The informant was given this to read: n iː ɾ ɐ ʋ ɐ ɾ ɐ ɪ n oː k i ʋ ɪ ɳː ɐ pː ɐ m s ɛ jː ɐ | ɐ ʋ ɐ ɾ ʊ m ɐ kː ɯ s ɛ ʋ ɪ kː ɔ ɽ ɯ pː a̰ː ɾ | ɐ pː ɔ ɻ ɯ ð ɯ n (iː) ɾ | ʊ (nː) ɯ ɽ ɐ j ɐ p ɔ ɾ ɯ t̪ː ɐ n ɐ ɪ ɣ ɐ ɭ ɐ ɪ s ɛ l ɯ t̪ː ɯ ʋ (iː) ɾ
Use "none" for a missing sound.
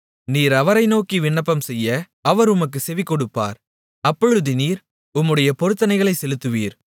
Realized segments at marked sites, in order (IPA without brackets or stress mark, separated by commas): iː, mː, iː